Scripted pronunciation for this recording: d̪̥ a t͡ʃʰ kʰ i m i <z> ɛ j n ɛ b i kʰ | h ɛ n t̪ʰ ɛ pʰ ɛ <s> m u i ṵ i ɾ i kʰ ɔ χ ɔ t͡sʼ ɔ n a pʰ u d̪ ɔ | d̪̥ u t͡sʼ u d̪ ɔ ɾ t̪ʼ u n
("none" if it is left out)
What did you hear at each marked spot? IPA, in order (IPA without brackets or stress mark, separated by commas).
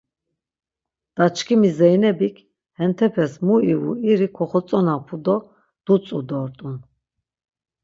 z, s